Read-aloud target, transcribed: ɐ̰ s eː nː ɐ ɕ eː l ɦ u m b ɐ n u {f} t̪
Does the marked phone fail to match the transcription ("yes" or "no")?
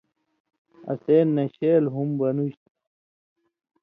yes